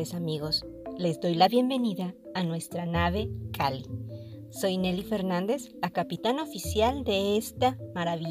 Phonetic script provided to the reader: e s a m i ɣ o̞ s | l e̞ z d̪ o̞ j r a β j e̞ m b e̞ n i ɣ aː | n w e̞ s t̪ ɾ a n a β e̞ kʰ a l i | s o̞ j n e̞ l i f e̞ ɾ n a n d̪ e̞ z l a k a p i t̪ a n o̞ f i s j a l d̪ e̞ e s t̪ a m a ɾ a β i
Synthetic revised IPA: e s a m i ɣ o̞ s | l e̞ z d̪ o̞ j l a β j e̞ m b e̞ n i ð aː | n w e̞ s t̪ ɾ a n a β e̞ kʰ a l i | s o̞ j n e̞ l i f e̞ ɾ n a n d̪ e̞ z l a k a p i t̪ a n o̞ f i s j a l d̪ e̞ e s t̪ a m a ɾ a β i